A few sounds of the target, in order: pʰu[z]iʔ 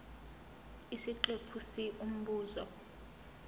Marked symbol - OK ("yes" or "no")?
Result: no